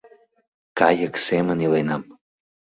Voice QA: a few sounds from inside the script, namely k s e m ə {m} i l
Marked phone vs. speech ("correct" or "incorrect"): incorrect